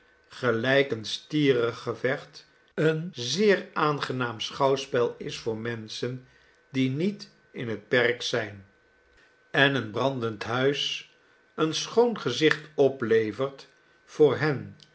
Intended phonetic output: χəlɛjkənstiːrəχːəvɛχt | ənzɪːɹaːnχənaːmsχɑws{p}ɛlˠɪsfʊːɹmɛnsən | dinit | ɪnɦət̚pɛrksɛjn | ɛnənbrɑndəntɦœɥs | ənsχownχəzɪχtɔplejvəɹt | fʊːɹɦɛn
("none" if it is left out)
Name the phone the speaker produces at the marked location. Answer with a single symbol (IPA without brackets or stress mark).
p